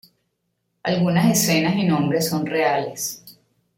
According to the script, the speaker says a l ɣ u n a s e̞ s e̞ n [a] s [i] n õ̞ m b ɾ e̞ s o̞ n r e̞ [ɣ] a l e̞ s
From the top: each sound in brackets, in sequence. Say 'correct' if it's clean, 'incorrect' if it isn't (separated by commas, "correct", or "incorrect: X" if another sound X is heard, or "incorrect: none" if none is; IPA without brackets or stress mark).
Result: correct, correct, incorrect: none